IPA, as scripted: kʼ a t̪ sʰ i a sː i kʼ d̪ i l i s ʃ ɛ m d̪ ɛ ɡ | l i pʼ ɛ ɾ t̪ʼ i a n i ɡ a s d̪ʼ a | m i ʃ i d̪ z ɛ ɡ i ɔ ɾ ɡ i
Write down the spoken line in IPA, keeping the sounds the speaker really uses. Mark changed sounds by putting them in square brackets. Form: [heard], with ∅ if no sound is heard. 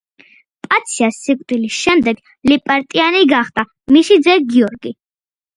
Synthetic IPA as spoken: [pʼ] a t̪ sʰ i a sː i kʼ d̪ i l i s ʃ ɛ m d̪ ɛ ɡ | l i pʼ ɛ ɾ t̪ʼ i a n i ɡ a [χ] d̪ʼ a | m i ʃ i d̪ z ɛ ɡ i ɔ ɾ ɡ i